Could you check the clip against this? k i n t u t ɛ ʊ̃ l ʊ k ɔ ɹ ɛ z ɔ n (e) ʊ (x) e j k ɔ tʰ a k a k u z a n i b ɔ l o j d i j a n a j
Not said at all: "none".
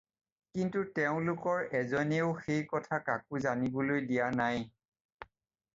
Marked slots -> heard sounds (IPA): e, x

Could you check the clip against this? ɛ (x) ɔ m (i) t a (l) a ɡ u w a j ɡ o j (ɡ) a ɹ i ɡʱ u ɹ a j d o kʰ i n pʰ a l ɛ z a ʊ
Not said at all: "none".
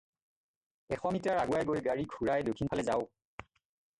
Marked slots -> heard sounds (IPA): x, i, ɹ, ɡ

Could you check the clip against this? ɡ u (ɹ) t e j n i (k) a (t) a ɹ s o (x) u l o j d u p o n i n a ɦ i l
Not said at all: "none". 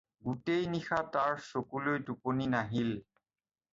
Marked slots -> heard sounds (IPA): none, x, t, k

